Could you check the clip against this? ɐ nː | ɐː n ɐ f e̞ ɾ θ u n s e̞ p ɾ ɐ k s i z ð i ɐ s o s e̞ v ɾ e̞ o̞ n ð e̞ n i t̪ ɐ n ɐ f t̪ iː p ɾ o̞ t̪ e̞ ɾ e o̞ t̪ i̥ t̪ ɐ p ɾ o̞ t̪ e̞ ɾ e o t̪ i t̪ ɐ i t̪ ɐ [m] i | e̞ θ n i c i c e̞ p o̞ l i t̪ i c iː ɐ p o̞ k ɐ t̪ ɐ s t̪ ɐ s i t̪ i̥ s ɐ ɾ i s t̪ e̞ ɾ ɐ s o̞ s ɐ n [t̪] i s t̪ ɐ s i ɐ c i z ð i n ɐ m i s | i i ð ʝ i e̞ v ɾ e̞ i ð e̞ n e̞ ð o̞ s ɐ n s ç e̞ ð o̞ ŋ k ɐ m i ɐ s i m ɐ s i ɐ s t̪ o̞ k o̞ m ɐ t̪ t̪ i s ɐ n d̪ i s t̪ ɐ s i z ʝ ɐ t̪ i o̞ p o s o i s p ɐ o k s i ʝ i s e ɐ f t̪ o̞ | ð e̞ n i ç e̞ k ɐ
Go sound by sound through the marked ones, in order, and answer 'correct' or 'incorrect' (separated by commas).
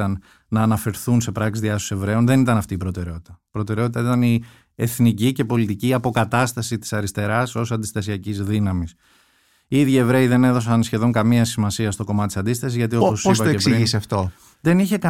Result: incorrect, incorrect